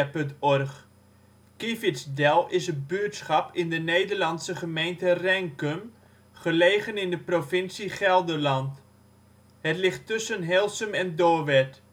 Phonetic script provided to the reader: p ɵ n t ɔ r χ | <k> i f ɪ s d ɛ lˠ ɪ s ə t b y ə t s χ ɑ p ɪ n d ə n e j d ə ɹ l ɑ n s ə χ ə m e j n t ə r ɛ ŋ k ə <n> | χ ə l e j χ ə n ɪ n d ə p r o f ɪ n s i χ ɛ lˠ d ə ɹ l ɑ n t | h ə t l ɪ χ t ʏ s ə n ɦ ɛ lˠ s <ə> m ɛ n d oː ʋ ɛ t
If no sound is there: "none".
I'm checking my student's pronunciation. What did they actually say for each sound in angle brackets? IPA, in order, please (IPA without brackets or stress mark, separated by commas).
k, m, ə